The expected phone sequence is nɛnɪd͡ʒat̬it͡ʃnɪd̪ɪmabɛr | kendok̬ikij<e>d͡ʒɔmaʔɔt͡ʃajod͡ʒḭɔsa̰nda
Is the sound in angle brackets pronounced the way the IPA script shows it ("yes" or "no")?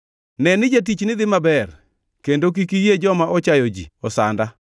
yes